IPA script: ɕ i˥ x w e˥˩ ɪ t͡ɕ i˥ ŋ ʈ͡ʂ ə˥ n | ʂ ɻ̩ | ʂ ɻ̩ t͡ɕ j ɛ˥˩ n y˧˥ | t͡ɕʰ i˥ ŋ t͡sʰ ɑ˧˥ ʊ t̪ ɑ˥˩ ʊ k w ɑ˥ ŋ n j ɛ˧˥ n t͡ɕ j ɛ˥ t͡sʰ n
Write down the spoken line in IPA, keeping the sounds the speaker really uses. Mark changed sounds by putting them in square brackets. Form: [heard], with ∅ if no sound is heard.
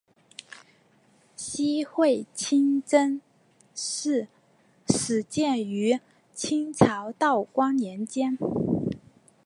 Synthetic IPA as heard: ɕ i˥ x w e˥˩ ɪ [t͡ɕʰ] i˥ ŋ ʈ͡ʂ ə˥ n | ʂ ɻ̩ | ʂ ɻ̩ t͡ɕ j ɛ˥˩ n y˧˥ | t͡ɕʰ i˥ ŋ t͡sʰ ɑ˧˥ ʊ t̪ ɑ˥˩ ʊ k w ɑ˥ ŋ n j ɛ˧˥ n t͡ɕ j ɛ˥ [∅] n